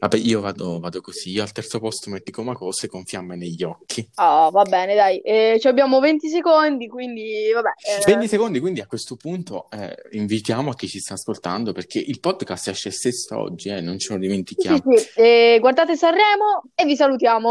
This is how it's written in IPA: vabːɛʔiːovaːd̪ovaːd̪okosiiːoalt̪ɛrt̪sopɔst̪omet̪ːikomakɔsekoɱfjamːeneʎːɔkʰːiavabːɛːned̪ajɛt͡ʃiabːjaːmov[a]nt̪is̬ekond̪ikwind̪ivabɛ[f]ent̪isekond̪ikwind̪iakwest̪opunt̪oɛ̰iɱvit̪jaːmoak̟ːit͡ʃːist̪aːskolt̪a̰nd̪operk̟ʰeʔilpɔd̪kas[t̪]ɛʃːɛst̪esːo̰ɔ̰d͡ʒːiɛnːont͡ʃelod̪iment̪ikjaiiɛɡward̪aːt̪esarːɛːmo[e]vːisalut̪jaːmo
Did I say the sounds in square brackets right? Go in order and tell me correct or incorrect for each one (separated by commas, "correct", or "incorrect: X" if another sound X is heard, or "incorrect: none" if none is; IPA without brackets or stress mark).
incorrect: e, incorrect: v, correct, correct